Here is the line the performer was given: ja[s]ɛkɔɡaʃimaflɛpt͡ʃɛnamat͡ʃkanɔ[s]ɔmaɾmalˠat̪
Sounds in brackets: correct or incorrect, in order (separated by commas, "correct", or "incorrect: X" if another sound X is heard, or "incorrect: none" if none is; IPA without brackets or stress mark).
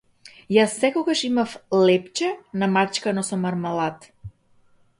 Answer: incorrect: sː, correct